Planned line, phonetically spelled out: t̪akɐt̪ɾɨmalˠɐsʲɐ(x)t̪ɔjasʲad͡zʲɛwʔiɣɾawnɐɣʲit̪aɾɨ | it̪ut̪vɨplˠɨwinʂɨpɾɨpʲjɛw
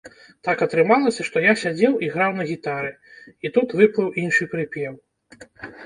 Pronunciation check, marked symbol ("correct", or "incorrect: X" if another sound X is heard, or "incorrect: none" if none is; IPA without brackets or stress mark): incorrect: ʂ